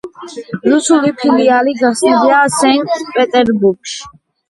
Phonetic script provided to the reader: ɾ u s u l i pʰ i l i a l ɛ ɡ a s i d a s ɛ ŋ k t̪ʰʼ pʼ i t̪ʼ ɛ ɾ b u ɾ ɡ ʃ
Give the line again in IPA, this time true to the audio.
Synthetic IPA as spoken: ɾ u s u l i pʰ i l i a l i ɡ a s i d a s ɛ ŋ k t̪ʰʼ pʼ ɛ t̪ʼ ɛ ɾ b u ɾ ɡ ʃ